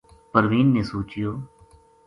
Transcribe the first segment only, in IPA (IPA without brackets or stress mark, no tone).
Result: p